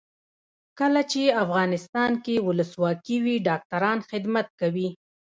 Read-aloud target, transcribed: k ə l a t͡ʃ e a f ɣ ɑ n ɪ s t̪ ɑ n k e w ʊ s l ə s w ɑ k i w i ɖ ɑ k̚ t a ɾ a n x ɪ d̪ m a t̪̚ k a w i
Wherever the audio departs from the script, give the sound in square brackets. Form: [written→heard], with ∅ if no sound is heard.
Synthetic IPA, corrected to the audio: k ə l a t͡ʃ e a f ɣ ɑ n ɪ s t̪ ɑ n k e w ʊ [s→∅] l ə s w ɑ k i w i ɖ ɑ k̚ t a ɾ [a→ɑ] n x ɪ d̪ m a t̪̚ k a w i